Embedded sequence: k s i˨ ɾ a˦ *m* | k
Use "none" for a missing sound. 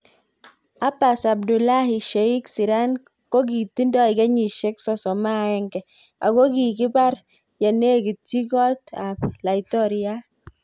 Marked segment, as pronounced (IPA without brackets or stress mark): n